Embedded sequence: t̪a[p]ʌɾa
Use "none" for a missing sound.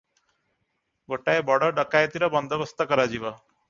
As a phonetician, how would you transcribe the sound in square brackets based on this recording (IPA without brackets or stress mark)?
k